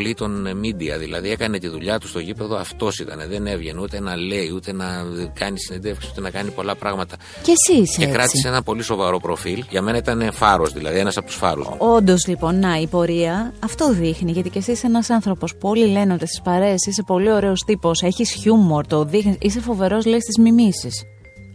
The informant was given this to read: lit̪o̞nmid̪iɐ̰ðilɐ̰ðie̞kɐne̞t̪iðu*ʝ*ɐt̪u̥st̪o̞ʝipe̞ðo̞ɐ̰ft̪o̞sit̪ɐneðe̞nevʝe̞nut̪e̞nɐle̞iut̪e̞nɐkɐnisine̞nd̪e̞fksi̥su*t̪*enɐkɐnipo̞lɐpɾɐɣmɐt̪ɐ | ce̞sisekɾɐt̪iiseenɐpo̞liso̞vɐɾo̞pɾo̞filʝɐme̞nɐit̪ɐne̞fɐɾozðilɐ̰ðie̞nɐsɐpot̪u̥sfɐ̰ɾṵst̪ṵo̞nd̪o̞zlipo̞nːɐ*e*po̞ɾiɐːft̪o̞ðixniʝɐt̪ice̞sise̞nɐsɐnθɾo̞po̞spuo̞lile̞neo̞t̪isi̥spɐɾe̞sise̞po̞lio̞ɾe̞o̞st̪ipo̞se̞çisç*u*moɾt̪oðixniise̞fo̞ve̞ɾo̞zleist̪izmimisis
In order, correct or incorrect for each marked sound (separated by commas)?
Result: incorrect, correct, incorrect, correct